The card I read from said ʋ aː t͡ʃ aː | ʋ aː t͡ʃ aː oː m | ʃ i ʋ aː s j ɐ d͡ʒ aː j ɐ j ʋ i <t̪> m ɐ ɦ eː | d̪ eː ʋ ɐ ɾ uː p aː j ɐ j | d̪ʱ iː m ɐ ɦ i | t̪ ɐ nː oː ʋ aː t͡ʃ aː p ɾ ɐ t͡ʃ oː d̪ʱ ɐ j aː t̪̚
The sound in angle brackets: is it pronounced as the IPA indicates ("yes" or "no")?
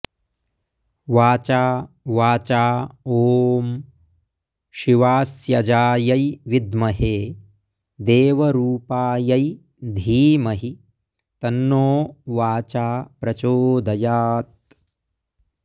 no